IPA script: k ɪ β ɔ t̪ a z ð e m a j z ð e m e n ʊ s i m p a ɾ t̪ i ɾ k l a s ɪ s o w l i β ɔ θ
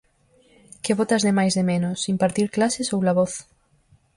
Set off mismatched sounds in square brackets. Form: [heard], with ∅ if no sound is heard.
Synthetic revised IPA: k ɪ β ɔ t̪ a z ð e m a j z ð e m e n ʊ s i m p a ɾ t̪ i ɾ k l a s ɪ s o w l [a] β ɔ θ